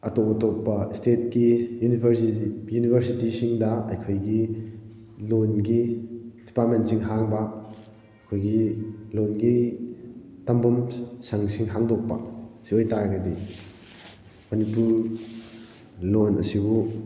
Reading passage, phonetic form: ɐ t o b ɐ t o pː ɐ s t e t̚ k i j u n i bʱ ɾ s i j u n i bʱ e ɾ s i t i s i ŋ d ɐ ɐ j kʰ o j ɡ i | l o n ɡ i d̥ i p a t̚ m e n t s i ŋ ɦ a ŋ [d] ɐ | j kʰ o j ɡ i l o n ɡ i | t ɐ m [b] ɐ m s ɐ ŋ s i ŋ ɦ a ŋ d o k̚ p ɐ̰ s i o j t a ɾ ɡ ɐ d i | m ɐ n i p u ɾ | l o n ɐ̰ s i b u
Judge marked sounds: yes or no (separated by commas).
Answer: no, yes